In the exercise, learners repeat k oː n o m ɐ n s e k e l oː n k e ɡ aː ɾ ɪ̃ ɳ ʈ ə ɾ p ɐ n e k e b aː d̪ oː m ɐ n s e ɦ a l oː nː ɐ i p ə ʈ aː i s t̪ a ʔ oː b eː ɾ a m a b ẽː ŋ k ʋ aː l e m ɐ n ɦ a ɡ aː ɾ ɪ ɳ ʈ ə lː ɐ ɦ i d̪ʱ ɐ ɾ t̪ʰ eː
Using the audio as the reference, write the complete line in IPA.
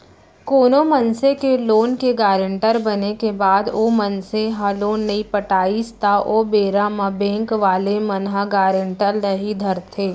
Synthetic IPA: k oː n o m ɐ n s e k e l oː n k e ɡ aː ɾ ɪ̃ ɳ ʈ ə ɾ b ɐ n e k e b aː d̪ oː m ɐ n s e ɦ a l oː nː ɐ i p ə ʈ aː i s t̪ a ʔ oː b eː ɾ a m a b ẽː ŋ k ʋ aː l e m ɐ n ɦ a ɡ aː ɾ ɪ ɳ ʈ ə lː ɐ ɦ i d̪ʱ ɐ ɾ t̪ʰ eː